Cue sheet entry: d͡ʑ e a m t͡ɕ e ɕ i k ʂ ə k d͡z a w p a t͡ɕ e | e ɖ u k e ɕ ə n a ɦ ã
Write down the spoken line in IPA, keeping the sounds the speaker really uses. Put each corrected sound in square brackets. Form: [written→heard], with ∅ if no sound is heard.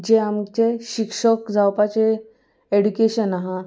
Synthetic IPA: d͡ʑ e a m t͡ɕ e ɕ i k ʂ ə k d͡z a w p a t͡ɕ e | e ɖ u k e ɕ ə n a ɦ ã